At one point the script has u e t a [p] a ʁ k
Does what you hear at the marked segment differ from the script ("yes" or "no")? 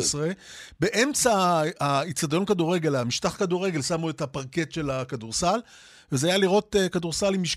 no